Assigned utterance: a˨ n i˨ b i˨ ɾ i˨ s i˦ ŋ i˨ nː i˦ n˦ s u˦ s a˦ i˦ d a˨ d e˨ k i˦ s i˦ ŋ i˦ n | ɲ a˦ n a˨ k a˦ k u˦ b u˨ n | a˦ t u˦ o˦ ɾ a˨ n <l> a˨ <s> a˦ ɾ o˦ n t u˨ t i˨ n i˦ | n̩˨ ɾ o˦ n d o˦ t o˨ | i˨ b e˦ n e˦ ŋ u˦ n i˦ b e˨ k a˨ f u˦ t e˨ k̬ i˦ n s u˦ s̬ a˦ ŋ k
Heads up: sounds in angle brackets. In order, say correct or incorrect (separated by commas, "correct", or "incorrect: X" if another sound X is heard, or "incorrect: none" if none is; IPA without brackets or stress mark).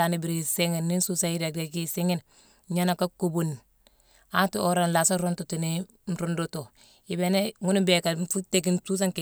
correct, correct